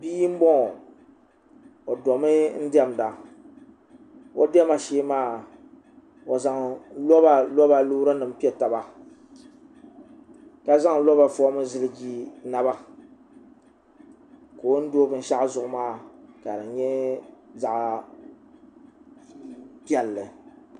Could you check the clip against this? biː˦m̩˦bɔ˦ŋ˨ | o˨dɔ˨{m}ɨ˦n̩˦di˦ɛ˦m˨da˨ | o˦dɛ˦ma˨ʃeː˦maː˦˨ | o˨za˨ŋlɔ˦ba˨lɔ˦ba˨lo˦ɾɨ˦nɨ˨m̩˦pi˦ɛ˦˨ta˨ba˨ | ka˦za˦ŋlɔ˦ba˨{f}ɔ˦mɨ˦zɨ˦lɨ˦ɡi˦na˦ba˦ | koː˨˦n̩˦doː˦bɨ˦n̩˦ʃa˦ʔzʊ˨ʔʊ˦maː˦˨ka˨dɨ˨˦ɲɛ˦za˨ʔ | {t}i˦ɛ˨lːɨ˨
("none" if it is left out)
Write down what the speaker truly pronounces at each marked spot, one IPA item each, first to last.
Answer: m, f, p

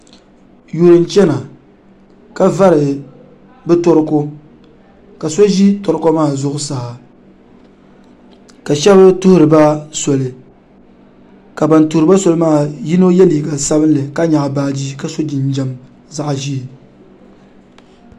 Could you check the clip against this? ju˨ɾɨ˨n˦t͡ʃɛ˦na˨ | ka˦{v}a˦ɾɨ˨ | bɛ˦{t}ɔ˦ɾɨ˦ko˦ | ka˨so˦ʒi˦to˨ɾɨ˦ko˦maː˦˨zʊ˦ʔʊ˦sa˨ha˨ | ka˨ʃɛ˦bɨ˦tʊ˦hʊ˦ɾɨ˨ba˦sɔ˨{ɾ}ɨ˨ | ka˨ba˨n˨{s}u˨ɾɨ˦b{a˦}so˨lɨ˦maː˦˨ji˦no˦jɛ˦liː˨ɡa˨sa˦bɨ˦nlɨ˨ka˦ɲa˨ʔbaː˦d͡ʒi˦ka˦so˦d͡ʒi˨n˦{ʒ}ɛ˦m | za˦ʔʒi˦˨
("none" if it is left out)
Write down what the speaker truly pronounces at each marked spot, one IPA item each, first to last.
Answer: v, t, l, t, a˦, d͡ʒ

